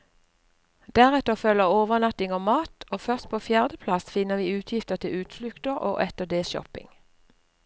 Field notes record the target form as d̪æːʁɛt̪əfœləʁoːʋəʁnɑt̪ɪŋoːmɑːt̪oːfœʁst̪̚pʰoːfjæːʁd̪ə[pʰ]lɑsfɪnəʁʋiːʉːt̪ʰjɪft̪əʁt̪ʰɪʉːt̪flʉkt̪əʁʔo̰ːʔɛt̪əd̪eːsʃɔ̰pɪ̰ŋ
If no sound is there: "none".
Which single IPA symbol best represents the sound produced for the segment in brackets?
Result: pʰ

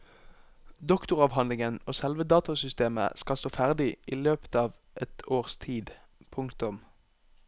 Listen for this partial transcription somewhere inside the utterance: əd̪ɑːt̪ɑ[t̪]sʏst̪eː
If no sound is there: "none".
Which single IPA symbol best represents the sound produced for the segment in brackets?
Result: none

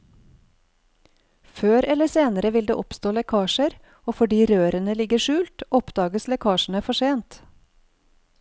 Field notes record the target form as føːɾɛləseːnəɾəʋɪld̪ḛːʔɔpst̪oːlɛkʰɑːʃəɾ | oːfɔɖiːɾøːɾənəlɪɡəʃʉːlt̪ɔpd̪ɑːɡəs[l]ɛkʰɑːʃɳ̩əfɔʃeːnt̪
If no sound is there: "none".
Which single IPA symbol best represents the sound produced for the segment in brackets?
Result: l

